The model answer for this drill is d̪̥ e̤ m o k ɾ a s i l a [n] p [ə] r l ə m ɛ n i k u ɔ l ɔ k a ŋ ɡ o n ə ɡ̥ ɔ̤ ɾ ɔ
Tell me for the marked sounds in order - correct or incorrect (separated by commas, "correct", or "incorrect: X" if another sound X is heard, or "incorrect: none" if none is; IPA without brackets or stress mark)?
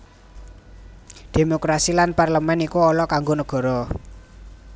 correct, incorrect: a